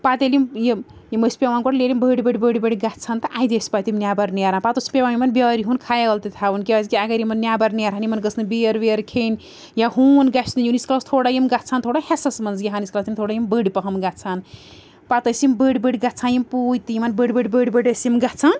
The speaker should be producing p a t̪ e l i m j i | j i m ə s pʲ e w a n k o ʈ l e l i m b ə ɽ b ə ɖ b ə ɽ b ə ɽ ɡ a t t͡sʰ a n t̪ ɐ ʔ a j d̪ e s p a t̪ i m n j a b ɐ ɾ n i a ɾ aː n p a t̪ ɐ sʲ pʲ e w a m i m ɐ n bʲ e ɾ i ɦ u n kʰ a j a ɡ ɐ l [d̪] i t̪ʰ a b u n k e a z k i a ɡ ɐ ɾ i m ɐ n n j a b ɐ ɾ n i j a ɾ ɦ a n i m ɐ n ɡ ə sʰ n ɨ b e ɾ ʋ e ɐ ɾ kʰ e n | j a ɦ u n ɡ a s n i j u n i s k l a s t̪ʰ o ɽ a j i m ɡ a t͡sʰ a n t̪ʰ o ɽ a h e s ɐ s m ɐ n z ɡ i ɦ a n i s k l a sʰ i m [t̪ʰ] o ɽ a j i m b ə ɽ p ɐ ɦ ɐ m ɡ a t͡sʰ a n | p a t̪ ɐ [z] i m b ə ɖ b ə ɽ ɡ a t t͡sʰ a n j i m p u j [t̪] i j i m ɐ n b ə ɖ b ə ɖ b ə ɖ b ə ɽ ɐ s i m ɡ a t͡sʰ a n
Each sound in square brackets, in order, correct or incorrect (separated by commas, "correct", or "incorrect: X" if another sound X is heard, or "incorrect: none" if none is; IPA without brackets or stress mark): incorrect: t̪, correct, incorrect: s, correct